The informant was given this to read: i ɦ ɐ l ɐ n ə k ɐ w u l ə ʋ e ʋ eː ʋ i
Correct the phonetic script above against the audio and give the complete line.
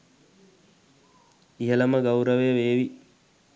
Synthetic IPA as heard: i ɦ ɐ l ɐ m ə ɡ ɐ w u ɾ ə ʋ e ʋ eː ʋ i